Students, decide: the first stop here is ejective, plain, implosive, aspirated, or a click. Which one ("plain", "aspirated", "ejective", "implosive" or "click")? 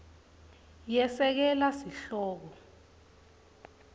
plain